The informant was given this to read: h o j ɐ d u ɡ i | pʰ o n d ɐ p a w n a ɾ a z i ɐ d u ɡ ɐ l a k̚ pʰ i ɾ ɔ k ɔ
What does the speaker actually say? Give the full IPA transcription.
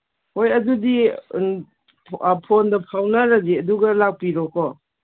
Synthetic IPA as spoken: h o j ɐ d u d i | pʰ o n d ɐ pʰ a w n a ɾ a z i ɐ d u ɡ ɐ l a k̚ p i ɾ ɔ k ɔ